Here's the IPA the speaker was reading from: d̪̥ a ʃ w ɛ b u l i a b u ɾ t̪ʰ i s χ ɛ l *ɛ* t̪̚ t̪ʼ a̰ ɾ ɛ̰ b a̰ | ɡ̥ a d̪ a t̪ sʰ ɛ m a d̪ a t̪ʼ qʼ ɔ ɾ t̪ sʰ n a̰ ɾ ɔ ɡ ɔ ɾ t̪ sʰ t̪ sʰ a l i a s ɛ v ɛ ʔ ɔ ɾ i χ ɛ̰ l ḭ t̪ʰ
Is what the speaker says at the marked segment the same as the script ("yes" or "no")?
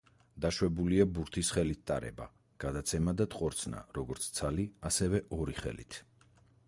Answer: no